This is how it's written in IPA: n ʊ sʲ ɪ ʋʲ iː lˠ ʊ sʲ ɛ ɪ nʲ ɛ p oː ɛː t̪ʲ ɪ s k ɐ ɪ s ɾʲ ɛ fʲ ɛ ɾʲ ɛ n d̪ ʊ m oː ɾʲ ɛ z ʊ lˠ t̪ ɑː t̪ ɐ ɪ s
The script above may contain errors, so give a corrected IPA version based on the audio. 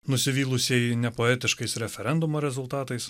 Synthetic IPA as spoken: n ʊ sʲ ɪ ʋʲ iː lˠ ʊ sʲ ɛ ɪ nʲ ɛ p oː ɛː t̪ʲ ɪ ʃ k ɐ ɪ s ɾʲ ɛ fʲ ɛ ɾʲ ɛ n d̪ ʊ m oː ɾʲ ɛ z ʊ lˠ t̪ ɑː t̪ ɐ ɪ s

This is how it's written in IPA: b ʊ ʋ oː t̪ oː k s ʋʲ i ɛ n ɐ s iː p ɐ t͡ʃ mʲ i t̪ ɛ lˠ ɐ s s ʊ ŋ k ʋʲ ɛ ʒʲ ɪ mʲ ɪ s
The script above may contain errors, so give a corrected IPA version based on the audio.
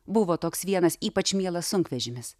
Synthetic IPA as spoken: b ʊ ʋ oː t̪ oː k s ʋʲ i ɛ n ɐ s iː p ɐ t͡ʃ mʲ i ɛ lˠ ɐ s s ʊ ŋ k ʋʲ ɛ ʒʲ ɪ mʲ ɪ s

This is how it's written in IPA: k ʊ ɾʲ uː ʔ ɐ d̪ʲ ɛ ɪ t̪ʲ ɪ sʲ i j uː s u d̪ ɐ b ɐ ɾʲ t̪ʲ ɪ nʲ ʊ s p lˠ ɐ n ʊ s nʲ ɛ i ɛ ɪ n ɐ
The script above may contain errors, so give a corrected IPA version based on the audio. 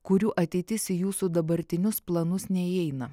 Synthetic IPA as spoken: k ʊ ɾʲ uː ʔ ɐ t̪ʲ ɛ ɪ t̪ʲ ɪ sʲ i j uː s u d̪ ɐ b ɐ ɾʲ t̪ʲ ɪ nʲ ʊ s p lˠ ɐ n ʊ s nʲ ɛ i ɛ ɪ n ɐ

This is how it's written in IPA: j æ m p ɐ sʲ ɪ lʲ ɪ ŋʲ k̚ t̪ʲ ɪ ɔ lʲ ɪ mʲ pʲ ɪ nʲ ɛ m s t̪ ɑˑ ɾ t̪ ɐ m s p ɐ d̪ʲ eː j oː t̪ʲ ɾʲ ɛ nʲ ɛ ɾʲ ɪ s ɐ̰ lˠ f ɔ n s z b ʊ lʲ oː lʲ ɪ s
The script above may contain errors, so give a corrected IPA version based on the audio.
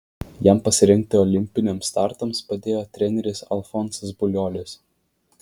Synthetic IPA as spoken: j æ m p ɐ sʲ ɪ ɾʲ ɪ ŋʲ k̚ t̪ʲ ɪ ɔ lʲ ɪ mʲ pʲ ɪ nʲ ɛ m s t̪ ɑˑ ɾ t̪ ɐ m s p ɐ d̪ʲ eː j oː t̪ʲ ɾʲ ɛ nʲ ɛ ɾʲ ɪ s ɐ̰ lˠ f ɔ n s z b ʊ lʲ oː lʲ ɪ s

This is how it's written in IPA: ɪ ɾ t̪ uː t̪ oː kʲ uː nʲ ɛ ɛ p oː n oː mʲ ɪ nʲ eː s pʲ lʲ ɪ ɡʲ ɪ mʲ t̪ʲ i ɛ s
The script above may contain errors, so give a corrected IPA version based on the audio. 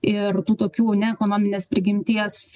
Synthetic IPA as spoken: ɪ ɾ t̪ uː t̪ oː kʲ uː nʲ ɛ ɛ k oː n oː mʲ ɪ nʲ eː s pʲ ɾʲ ɪ ɡʲ ɪ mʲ t̪ʲ i ɛ s

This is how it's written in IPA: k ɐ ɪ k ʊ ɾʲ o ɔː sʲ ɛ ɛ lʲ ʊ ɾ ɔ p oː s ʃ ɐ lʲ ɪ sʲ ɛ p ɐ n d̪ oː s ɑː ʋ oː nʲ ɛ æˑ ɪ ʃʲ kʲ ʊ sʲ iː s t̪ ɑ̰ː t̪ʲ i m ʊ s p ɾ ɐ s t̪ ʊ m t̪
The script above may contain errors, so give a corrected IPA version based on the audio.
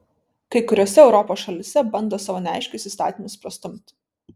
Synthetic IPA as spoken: k ɐ ɪ k ʊ ɾʲ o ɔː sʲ ɛ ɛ ʊ ɾ ɔ p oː s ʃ ɐ lʲ ɪ sʲ ɛ b ɐ n d̪ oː s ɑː ʋ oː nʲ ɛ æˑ ɪ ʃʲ kʲ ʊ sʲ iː s t̪ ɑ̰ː t̪ʲ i m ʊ s p ɾ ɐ s t̪ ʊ m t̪

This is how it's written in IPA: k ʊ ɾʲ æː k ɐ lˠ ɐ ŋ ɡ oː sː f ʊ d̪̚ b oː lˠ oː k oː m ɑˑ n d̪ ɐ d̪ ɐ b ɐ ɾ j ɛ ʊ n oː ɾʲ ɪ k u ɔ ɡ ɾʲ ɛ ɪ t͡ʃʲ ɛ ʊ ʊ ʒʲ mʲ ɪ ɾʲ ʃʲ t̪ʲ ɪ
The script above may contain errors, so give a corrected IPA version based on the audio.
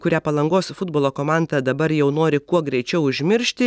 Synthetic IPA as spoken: k ʊ ɾʲ æː p ɐ lˠ ɐ ŋ ɡ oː s f ʊ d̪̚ b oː lˠ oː k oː m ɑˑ n d̪ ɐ d̪ ɐ b ɐ ɾ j ɛ ʊ n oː ɾʲ ɪ k u ɔ ɡ ɾʲ ɛ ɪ t͡ʃʲ ɛ ʊ ʊ ʒʲ mʲ ɪ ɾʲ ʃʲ t̪ʲ ɪ

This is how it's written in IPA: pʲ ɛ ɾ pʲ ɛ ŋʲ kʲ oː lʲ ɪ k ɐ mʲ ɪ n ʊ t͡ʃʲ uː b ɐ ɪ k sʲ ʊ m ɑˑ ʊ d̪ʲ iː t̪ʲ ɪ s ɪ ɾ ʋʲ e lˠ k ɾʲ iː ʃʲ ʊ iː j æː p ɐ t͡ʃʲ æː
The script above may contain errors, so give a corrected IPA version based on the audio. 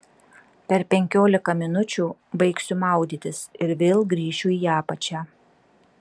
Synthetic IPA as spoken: pʲ ɛ ɾ pʲ ɛ ŋʲ kʲ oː lʲ ɪ k ɐ mʲ ɪ n ʊ t͡ʃʲ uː b ɐ ɪ k sʲ ʊ m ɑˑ ʊ d̪ʲ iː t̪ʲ ɪ s ɪ ɾ ʋʲ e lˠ ɡ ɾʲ iː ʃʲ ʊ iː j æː p ɐ t͡ʃʲ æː

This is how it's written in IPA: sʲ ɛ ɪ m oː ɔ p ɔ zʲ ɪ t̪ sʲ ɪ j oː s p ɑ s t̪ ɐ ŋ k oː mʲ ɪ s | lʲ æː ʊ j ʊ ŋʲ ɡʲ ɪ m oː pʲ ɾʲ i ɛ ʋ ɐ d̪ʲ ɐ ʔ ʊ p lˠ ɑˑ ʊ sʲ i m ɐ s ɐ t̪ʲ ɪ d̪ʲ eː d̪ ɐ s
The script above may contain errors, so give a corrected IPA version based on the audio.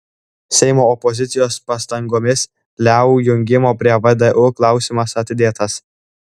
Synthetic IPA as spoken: sʲ ɛ ɪ m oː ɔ p ɔ zʲ ɪ t̪ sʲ ɪ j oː s p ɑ s t̪ ɐ ŋ ɡ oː mʲ ɪ s | lʲ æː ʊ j ʊ ŋʲ ɡʲ ɪ m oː pʲ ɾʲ i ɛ ʋ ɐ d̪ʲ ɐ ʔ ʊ k lˠ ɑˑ ʊ sʲ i m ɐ s ɐ t̪ʲ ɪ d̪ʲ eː t̪ ɐ s

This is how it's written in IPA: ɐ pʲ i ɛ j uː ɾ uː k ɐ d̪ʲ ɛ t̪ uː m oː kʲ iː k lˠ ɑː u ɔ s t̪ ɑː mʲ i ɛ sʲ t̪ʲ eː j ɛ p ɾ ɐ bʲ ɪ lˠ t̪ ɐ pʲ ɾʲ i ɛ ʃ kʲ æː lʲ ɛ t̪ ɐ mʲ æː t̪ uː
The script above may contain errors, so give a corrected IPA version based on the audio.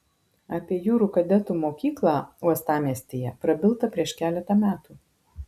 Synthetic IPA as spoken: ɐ pʲ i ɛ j uː ɾ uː k ɐ d̪ʲ ɛ t̪ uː m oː kʲ iː k lˠ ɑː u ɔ s t̪ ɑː mʲ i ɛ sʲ t̪ʲ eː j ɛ p ɾ ɐ bʲ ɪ lˠ t̪ ɐ pʲ ɾʲ i ɛ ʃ kʲ æː lʲ ɛ t̪ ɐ mʲ æː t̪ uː

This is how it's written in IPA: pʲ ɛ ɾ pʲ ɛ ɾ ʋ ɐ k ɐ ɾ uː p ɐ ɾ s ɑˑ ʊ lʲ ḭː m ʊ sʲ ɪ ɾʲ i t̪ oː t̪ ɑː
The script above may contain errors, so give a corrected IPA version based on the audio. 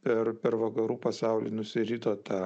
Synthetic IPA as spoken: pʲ ɛ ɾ pʲ ɛ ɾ ʋ ɐ k ɐ ɾ uː p ɐ s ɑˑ ʊ lʲ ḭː n ʊ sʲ ɪ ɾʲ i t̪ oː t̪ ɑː

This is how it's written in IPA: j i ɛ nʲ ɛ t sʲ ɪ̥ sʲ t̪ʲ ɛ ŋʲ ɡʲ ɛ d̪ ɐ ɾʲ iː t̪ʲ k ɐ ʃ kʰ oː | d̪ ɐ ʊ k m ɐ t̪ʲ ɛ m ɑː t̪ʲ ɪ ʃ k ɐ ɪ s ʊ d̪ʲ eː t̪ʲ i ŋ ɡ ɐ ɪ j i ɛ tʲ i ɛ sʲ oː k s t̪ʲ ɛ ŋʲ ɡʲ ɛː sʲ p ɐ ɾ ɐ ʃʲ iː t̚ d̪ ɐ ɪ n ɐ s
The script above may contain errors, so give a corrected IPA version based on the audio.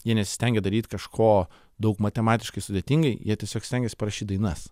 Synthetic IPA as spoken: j i ɛ nʲ ɛ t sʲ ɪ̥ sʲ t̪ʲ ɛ ŋʲ ɡʲ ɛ d̪ ɐ ɾʲ iː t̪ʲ k ɐ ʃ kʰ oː | d̪ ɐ ʊ k m ɐ t̪ʲ ɛ m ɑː t̪ʲ ɪ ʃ k ɐ ɪ s ʊ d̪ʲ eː t̪ʲ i ŋ ɡ ɐ ɪ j i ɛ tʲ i ɛ sʲ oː k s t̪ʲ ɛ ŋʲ ɡʲ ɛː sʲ p ɐ ɾ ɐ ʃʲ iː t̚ d̪ ɐ ɪ n ɐ s

